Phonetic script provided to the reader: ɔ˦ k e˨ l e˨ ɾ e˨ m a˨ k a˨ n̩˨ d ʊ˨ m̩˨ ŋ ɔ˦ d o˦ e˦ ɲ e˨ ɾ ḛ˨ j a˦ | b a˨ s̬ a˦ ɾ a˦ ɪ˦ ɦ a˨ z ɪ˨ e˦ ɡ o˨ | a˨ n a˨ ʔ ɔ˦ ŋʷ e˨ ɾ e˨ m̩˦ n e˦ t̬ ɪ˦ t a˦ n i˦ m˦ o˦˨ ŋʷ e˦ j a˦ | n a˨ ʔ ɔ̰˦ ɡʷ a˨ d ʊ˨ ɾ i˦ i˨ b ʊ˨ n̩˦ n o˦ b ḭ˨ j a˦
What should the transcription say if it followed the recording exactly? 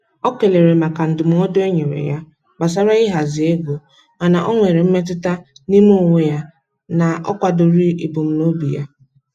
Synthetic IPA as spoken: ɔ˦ k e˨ l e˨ ɾ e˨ m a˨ k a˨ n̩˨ d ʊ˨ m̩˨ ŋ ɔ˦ d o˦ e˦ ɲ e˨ ɾ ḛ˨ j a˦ | b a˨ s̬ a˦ ɾ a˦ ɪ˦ ɦ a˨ z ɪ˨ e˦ ɡ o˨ | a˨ n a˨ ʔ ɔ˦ ŋʷ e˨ ɾ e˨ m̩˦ m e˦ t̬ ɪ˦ t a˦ n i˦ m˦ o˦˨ ŋʷ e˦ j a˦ | n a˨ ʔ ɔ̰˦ kʷ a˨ d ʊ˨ ɾ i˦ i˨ b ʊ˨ m̩˦ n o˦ b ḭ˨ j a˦

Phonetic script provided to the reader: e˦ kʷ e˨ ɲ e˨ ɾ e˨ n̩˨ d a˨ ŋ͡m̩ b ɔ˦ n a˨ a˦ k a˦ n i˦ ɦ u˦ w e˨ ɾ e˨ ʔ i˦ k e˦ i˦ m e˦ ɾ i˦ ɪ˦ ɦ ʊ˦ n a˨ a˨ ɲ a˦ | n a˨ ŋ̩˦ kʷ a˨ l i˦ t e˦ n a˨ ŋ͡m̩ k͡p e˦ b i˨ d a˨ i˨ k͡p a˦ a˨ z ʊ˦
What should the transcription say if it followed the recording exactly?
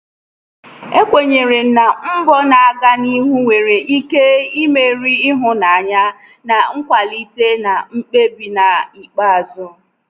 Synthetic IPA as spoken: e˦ kʷ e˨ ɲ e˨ ɾ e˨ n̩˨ n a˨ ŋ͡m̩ b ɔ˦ n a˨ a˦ ɡ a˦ n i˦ ɦ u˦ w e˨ ɾ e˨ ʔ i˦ k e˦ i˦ m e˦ ɾ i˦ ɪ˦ ɦ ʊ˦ n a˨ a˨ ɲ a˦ | n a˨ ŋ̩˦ kʷ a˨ l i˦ t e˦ n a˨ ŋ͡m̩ k͡p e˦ b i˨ n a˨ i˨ k͡p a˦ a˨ z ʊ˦

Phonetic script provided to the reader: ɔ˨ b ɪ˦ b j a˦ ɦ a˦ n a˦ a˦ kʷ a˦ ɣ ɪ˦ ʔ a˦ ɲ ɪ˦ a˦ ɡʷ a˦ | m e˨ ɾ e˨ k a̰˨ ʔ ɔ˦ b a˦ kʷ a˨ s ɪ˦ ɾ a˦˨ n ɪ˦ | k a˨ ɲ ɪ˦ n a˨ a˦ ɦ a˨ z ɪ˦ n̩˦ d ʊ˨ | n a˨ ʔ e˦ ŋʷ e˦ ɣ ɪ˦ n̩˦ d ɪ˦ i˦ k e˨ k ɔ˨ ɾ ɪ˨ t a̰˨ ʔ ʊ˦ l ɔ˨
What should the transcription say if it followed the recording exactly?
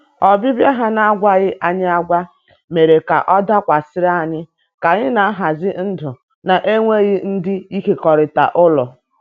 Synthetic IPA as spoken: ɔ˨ b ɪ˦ b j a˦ ɦ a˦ n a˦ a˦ ɡʷ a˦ ɣ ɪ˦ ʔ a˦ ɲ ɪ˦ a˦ ɡʷ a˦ | m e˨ ɾ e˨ k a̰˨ ʔ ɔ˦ d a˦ kʷ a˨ s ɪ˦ ɾ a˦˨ ɲ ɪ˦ | k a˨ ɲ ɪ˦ n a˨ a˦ ɦ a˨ z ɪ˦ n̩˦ d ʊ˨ | n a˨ ʔ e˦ ŋʷ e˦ ɣ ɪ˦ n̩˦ d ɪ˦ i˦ k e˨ k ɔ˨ ɾ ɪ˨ t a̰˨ ʔ ʊ˦ l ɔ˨

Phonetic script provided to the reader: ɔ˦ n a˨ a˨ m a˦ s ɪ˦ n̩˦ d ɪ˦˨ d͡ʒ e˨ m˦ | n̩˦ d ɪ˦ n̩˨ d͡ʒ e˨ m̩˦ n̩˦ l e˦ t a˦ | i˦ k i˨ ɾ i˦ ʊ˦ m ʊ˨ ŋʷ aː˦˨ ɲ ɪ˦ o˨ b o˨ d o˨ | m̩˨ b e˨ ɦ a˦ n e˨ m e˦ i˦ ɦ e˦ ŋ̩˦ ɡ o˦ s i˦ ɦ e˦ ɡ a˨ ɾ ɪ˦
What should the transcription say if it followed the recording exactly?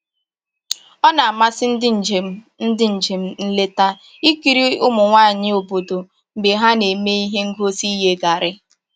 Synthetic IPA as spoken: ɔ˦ n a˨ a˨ m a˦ s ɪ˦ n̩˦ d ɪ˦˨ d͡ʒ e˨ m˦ | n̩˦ d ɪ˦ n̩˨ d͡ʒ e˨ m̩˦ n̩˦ l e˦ t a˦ | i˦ k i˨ ɾ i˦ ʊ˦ m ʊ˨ ŋʷ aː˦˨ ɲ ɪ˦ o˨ b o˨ d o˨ | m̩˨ b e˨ ɦ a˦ n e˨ m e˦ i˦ ɦ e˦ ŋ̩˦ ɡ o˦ s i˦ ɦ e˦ ɡ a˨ ɾ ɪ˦

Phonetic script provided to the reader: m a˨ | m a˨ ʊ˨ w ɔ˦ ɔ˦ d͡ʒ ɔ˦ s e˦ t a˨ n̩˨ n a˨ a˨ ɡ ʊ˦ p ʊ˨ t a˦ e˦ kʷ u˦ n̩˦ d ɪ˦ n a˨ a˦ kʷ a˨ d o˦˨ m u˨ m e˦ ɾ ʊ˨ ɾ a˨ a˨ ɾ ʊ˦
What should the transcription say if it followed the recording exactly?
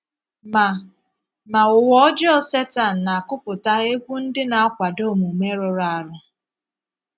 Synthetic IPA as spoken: m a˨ | m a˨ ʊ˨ w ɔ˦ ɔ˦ d͡ʒ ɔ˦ s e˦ t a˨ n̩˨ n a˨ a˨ k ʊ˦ p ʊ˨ t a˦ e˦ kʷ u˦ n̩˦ d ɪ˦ n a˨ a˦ kʷ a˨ d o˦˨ m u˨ m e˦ ɾ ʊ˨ ɾ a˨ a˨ ɾ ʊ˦

